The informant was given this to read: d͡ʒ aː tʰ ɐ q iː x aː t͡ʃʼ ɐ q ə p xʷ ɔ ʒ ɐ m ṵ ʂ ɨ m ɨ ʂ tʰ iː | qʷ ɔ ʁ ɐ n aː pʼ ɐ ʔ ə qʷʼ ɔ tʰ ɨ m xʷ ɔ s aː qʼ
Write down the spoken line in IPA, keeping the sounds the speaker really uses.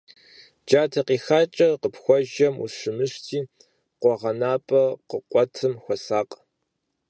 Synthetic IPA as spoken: d͡ʒ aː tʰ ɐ q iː x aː t͡ʃʼ ɐ q ə p xʷ ɔ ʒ ɐ m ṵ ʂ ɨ m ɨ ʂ tʰ iː | qʷ ɔ ʁ ɐ n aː pʼ ɐ q ə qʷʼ ɔ tʰ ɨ m xʷ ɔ s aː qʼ